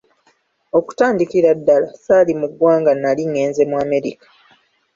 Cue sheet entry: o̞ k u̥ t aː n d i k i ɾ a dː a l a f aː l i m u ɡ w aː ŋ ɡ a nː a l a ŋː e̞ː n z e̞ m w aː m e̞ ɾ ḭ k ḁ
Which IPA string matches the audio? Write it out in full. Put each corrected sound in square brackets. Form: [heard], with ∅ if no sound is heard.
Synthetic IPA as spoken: o̞ k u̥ t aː n d i k i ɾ a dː a l a [s] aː l i m u ɡ w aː ŋ ɡ a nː a l [i] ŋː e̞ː n z e̞ m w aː m e̞ ɾ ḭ k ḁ

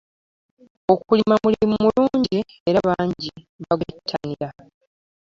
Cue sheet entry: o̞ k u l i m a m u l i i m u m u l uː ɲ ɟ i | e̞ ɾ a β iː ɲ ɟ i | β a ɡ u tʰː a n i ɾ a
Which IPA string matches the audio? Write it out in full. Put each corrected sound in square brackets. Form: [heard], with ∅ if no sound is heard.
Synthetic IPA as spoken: o̞ k u l i m a m u l i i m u m u l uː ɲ ɟ i | e̞ ɾ a β [aː] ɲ ɟ i | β a ɡ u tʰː a n i ɾ a

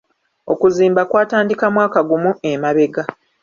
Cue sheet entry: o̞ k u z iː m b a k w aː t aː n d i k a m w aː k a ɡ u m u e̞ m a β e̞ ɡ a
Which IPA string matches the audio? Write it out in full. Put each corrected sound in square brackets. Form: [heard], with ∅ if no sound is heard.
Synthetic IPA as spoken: o̞ k u z iː m b a k w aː t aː n d i k a m w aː k a ɡ u m u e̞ m a β e̞ ɡ a

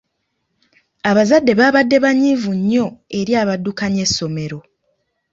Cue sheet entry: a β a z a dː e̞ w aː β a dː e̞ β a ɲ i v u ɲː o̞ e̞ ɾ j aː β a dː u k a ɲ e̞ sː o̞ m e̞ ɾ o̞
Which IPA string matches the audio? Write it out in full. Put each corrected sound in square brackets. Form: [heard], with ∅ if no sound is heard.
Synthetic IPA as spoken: a β a z a dː e̞ [β] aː β a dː e̞ β a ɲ i v u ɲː o̞ e̞ ɾ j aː β a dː u k a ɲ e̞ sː o̞ m e̞ ɾ o̞

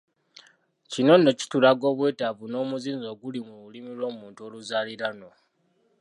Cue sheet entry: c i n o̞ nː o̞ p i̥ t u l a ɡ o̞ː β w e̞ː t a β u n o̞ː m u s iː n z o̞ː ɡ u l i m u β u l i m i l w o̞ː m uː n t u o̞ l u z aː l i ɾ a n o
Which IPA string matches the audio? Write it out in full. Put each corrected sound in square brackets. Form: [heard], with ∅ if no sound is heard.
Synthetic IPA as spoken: c i n o̞ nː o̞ [c] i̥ t u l a ɡ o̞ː β w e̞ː t a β u n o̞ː m u [z] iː n z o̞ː ɡ u l i m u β u l i m i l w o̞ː m uː n t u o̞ l u z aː l i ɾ a n o

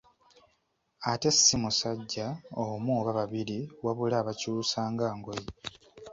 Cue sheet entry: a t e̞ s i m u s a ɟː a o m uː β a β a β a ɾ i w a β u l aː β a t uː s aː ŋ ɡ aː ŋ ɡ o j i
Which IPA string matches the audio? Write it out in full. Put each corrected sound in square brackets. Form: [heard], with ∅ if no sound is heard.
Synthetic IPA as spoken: a t e̞ s i m u s a ɟː a o m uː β a β a β [i] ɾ i w a β u l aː β a [c] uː s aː ŋ ɡ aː ŋ ɡ o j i

